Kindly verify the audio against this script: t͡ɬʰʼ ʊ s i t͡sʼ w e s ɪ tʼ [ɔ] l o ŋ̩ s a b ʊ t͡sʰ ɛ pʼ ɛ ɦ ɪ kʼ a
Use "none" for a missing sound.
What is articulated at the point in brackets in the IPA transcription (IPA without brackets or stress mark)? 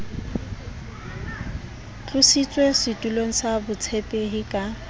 u